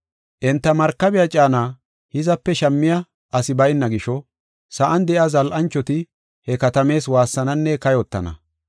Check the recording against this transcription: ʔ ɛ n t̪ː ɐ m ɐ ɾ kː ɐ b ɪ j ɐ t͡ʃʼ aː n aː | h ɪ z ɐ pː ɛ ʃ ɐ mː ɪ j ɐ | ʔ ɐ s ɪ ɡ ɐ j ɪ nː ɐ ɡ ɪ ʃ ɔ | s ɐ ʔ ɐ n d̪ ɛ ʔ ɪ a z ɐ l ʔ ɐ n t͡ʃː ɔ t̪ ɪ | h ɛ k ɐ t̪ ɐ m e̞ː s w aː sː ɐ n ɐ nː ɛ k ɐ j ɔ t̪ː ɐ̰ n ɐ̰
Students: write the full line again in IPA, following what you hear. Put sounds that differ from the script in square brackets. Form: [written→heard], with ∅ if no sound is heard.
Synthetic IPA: ʔ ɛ n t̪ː ɐ m ɐ ɾ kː ɐ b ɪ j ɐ t͡ʃʼ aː n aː | h ɪ z ɐ pː ɛ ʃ ɐ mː ɪ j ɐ | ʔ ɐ s ɪ [ɡ→b] ɐ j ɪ nː ɐ ɡ ɪ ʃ ɔ | s ɐ ʔ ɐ n d̪ ɛ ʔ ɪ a z ɐ l ʔ ɐ n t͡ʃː ɔ t̪ ɪ | h ɛ k ɐ t̪ ɐ m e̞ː s w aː sː ɐ n ɐ nː ɛ k ɐ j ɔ t̪ː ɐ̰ n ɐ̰